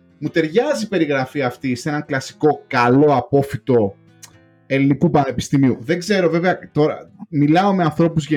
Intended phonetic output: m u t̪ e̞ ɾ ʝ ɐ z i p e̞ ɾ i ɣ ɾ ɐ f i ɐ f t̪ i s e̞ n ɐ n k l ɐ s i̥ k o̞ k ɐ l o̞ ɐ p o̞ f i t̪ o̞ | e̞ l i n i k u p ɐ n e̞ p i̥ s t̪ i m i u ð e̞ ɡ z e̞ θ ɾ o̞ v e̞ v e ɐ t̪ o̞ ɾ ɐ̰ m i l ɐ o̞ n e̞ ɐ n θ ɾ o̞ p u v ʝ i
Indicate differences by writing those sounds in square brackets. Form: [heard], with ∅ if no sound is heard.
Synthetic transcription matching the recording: m u t̪ e̞ ɾ ʝ ɐ z i p e̞ ɾ i ɣ ɾ ɐ f i ɐ f t̪ i s e̞ n ɐ [ŋ] k l ɐ s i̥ k o̞ k ɐ l o̞ ɐ p o̞ f i t̪ o̞ | e̞ l i n i k u p ɐ n e̞ p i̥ s t̪ i m i u ð e̞ ɡ z e̞ [∅] ɾ o̞ v e̞ v e ɐ t̪ o̞ ɾ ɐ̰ m i l ɐ o̞ [m] e̞ ɐ n θ ɾ o̞ p u [z] ʝ [e]